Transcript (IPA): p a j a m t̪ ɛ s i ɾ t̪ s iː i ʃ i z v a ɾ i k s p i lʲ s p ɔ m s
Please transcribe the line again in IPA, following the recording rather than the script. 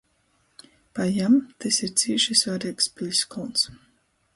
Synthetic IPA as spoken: p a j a m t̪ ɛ s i ɾ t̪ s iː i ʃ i s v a ɾ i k s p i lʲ s k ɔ n s